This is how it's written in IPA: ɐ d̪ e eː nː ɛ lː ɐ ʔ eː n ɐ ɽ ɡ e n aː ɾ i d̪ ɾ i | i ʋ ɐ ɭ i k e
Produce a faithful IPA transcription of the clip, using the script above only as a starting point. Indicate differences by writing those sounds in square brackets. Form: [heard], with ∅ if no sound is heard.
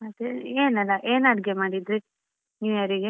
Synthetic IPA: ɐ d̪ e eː [n] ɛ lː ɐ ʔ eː n ɐ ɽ ɡ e [m] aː [ɽ] i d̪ ɾ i | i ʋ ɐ [ɾ] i [ɡ] e